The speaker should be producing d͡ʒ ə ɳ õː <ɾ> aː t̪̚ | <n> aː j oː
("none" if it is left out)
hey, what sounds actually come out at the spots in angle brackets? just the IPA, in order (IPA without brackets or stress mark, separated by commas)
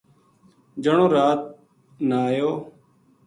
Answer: ɾ, n